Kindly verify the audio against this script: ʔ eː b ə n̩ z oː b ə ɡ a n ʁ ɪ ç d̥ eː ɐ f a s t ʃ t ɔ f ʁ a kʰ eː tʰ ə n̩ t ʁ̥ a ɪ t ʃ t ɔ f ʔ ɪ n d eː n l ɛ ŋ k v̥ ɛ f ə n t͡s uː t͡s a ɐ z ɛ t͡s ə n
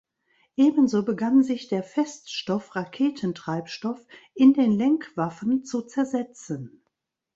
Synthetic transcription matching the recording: ʔ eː b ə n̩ z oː b ə ɡ a n z ɪ ç d̥ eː ɐ f ɛ s t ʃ t ɔ f ʁ a kʰ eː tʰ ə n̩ t ʁ̥ a ɪ p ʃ t ɔ f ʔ ɪ n d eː n l ɛ ŋ k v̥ a f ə n t͡s u t͡s ɛ ɐ z ɛ t͡s ə n

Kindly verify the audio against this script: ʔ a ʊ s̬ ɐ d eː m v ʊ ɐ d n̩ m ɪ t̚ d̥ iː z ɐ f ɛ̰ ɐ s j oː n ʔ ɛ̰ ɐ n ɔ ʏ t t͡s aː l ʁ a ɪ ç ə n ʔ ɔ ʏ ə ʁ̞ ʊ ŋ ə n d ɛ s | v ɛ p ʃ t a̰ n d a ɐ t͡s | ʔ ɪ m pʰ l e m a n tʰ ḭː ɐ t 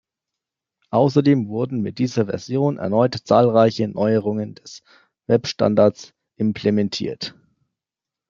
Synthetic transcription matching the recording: ʔ a ʊ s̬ ɐ d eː m v ʊ ɐ d n̩ m ɪ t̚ d̥ iː z ɐ v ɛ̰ ɐ z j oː n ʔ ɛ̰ ɐ n ɔ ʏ t t͡s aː l ʁ a ɪ ç ə n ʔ ɔ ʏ ə ʁ̞ ʊ ŋ ə n d ɛ s | v ɛ p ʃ t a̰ n d a ɐ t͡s | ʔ ɪ m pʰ l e m ɛ n tʰ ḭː ɐ t

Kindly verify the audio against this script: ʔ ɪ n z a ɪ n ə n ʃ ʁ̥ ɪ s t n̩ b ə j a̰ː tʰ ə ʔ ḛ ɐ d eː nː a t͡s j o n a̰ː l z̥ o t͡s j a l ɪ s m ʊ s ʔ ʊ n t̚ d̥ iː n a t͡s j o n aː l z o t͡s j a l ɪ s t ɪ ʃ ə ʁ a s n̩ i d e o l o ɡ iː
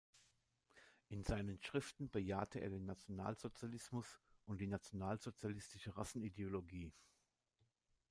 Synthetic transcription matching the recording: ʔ ɪ n z a ɪ n ə n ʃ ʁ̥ ɪ f t n̩ b ə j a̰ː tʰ ə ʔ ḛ ɐ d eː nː a t͡s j o n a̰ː l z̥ o t͡s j a l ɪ s m ʊ s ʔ ʊ n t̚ d̥ iː n a t͡s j o n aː l z o t͡s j a l ɪ s t ɪ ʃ ə ʁ a s n̩ i d e o l o ɡ iː

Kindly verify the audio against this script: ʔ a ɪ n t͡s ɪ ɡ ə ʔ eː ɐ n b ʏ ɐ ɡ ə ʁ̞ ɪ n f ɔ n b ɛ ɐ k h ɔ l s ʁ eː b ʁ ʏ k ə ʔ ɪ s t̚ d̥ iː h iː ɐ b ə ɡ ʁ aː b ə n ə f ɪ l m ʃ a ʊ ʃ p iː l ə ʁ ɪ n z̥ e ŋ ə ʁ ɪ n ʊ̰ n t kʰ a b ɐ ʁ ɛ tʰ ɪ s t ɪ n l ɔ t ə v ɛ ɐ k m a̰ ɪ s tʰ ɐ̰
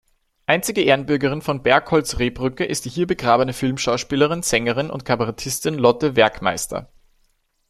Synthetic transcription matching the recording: ʔ a ɪ n t͡s ɪ ɡ ə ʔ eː ɐ n b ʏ ɐ ɡ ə ʁ̞ ɪ n f ɔ n b ɛ ɐ k h ɔ l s ʁ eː b ʁ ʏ k ə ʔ ɪ s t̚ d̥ iː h iː ɐ b ə ɡ ʁ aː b ə n ə f ɪ l m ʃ a ʊ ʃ p iː l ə ʁ ɪ n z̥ ɛ ŋ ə ʁ ɪ n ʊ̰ n t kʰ a b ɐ ʁ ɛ tʰ ɪ s t ɪ n l ɔ t ə v ɛ ɐ k m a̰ ɪ s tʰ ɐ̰

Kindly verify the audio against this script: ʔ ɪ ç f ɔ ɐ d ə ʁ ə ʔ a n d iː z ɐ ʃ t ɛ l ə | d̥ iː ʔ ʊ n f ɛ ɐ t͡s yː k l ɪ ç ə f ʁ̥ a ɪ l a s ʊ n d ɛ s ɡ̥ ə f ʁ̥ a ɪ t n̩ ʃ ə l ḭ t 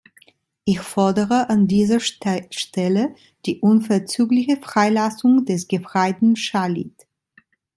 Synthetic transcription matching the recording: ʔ ɪ ç f ɔ ɐ d ə ʁ ə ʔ a n d iː z ɐ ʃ t ɛ l ə | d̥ iː ʔ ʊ n f ɛ ɐ t͡s yː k l ɪ ç ə f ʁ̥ a ɪ l a s ʊ ŋ d ɛ s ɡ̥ ə f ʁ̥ a ɪ t n̩ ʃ a l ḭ t

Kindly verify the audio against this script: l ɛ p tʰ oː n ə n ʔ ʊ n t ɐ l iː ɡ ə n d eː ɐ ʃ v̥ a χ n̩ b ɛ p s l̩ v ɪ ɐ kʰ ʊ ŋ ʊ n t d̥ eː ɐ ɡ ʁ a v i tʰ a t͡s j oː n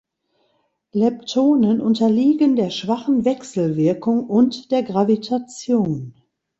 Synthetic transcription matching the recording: l ɛ p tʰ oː n ə n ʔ ʊ n t ɐ l iː ɡ ə n d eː ɐ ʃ v̥ a χ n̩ v ɛ k s l̩ v ɪ ɐ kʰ ʊ ŋ ʊ n t d̥ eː ɐ ɡ ʁ a v i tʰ a t͡s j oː n

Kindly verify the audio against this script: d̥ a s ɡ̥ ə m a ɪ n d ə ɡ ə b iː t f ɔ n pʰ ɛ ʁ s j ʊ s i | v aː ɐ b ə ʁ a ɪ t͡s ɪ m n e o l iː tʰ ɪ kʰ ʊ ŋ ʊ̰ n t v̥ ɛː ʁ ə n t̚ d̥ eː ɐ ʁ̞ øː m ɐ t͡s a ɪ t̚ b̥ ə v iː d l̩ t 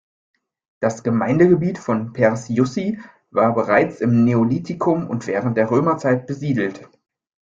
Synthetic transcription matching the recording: d̥ a s ɡ̥ ə m a ɪ n d ə ɡ ə b iː t f ɔ n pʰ ɛ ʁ s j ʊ s i | v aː ɐ b ə ʁ a ɪ t͡s ɪ m n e o l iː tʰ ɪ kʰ ʊ m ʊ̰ n t v̥ ɛː ʁ ə n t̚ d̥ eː ɐ ʁ̞ øː m ɐ t͡s a ɪ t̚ b̥ ə z iː d l̩ t

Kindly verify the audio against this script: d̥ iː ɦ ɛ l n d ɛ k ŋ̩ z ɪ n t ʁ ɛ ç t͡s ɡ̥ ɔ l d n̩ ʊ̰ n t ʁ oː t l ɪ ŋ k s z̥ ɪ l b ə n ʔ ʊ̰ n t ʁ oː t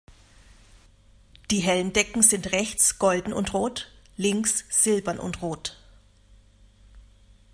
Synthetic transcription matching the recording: d̥ iː ɦ ɛ l n d ɛ k ŋ̩ z ɪ n t ʁ ɛ ç t͡s ɡ̥ ɔ l d n̩ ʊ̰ n t ʁ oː t l ɪ ŋ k s z̥ ɪ l b ɐ n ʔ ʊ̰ n t ʁ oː t

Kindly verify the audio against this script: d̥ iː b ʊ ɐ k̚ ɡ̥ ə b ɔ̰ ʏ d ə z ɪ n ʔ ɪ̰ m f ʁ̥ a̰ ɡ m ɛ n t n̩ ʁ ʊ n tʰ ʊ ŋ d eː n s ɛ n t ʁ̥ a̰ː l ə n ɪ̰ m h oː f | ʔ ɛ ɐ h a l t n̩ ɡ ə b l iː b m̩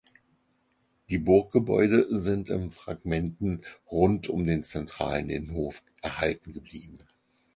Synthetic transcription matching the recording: d̥ iː b ʊ ɐ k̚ ɡ̥ ə b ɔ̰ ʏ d ə z ɪ n t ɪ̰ m f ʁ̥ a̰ ɡ m ɛ n t n̩ ʁ ʊ n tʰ ʊ m d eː n t͡s ɛ n t ʁ̥ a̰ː l ə n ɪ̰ n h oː f | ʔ ɛ ɐ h a l t n̩ ɡ ə b l iː b m̩

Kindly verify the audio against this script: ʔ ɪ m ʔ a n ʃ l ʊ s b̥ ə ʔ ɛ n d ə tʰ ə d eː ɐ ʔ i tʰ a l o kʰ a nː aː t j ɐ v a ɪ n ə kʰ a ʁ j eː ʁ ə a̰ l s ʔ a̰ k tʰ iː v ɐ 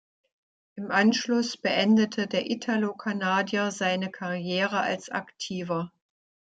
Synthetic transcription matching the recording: ʔ ɪ m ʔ a n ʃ l ʊ s b̥ ə ʔ ɛ n d ə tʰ ə d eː ɐ ʔ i tʰ a l o kʰ a n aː d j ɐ z a ɪ n ə kʰ a ʁ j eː ʁ ə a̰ l s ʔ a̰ k tʰ iː v ɐ

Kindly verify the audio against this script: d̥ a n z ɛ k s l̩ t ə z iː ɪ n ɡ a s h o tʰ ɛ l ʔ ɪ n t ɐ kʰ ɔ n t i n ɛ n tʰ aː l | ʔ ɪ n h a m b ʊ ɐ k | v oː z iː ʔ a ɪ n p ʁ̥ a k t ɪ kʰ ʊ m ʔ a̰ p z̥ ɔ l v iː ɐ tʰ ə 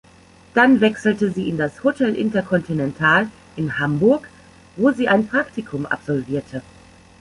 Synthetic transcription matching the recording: d̥ a n v ɛ k s l̩ t ə z iː ɪ n d a s h o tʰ ɛ l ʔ ɪ n t ɐ kʰ ɔ n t i n ɛ n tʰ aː l | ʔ ɪ n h a m b ʊ ɐ k | v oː z iː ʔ a ɪ n p ʁ̥ a k t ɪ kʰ ʊ m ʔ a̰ p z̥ ɔ l v iː ɐ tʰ ə

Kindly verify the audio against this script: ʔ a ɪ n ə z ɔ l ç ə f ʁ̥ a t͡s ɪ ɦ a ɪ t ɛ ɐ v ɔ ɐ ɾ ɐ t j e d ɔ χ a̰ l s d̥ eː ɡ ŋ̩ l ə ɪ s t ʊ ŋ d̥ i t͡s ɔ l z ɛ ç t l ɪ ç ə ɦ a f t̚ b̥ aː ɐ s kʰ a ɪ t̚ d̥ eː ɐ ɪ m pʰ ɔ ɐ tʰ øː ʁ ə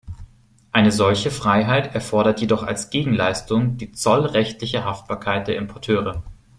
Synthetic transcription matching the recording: ʔ a ɪ n ə z ɔ l ç ə f ʁ̥ a ɪ ɦ a ɪ t ɛ ɐ f ɔ ɐ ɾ ɐ t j e d ɔ χ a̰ l s ɡ̥ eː ɡ ŋ̩ l a ɪ s t ʊ ŋ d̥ iː t͡s ɔ l ʁ ɛ ç t l ɪ ç ə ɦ a f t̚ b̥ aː ɐ kʰ a ɪ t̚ d̥ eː ɐ ɪ m pʰ ɔ ɐ tʰ øː ʁ ə

